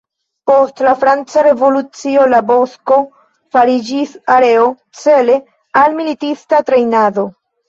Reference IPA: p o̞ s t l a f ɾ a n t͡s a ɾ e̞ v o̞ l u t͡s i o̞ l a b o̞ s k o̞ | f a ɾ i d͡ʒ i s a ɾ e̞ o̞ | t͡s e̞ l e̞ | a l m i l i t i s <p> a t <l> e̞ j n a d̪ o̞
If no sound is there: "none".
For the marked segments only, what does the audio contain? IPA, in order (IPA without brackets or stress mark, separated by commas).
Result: t, ɾ